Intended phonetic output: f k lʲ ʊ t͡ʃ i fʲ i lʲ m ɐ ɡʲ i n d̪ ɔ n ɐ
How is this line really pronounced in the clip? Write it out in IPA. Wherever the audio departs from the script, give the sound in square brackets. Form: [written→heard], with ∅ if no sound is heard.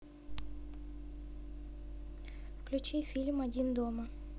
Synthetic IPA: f k lʲ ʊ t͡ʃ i fʲ i lʲ m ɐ [ɡʲ→dʲ] i n d̪ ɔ [n→m] ɐ